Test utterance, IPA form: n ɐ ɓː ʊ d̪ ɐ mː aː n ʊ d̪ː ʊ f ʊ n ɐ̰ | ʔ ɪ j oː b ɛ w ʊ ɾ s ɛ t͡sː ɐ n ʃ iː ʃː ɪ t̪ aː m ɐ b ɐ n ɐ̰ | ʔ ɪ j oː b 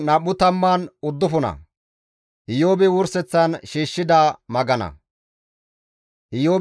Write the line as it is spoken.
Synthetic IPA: n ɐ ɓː ʊ t̪ ɐ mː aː n ʊ d̪ː ʊ f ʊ n ɐ̰ | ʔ ɪ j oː b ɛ w ʊ ɾ s ɛ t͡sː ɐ n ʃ iː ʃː ɪ d̪ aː m ɐ ɡ ɐ n ɐ̰ | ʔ ɪ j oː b